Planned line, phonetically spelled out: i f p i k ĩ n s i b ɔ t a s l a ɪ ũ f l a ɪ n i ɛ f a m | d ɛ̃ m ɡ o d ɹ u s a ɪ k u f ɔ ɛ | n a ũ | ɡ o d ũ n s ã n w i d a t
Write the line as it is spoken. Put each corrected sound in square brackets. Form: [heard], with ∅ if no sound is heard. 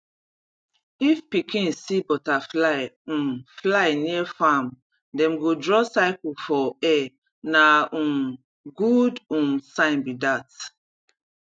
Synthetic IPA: i f p i k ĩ n s i b ɔ t a [f] l a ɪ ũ f l a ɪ n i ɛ f a m | d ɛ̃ m ɡ o d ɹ [ɔ] s a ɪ k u f ɔ ɛ | n a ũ | ɡ [u] d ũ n s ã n [b] i d a t